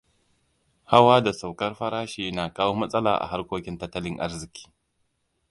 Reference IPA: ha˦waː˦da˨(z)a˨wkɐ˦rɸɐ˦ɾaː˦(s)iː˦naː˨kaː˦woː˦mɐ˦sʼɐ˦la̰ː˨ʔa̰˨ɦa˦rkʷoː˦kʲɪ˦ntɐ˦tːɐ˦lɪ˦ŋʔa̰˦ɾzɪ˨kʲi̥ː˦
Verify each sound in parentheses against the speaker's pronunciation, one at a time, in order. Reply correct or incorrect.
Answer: incorrect: s, incorrect: ʃ

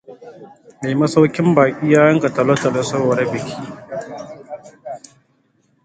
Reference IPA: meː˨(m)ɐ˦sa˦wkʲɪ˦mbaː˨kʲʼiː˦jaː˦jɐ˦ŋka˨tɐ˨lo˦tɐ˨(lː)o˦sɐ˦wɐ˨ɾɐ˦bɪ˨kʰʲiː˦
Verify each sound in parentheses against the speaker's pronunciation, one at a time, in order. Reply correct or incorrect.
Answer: correct, incorrect: l

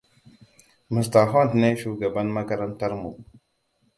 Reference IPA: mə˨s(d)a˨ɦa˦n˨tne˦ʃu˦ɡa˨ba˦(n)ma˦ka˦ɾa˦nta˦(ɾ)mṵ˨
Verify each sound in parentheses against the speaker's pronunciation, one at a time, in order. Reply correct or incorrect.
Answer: incorrect: t, correct, correct

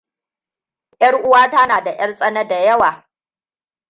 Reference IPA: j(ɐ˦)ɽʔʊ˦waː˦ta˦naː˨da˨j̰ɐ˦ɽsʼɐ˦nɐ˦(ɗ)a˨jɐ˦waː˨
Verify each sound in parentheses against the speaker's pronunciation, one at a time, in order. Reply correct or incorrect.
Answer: correct, incorrect: d

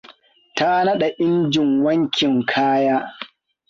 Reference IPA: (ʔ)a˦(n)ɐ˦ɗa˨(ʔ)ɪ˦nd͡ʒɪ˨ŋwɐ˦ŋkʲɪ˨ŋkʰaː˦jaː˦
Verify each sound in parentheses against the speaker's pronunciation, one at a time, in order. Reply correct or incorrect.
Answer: incorrect: t, correct, correct

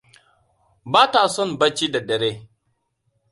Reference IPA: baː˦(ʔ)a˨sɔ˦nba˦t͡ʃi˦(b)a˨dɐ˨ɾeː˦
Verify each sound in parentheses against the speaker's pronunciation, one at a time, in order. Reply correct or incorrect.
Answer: incorrect: t, incorrect: d

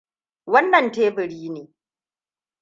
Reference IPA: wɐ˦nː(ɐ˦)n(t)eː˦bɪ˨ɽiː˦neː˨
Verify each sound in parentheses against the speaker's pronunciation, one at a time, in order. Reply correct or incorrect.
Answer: incorrect: ɐ˨, correct

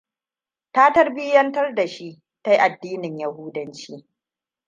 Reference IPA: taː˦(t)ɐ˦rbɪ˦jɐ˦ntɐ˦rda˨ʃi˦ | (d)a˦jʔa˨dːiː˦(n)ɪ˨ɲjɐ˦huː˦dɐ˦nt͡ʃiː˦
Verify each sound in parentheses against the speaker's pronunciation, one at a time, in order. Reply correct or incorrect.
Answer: correct, incorrect: t, correct

